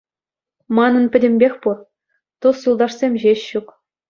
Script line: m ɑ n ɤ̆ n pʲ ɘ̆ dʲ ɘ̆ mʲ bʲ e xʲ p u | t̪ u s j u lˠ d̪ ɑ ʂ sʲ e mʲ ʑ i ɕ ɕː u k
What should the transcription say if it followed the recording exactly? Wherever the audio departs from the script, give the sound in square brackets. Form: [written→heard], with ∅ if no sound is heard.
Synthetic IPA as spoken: m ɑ n ɤ̆ n pʲ ɘ̆ dʲ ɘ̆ mʲ bʲ e xʲ p u | t̪ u s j u lˠ d̪ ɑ ʂ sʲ e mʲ ʑ [i→e] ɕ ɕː u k